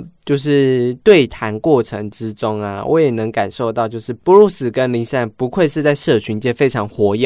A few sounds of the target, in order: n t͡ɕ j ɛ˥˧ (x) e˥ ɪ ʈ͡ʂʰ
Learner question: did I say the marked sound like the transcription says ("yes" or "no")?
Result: no